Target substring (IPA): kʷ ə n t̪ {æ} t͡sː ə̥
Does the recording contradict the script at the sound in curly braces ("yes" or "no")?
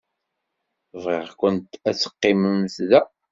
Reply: no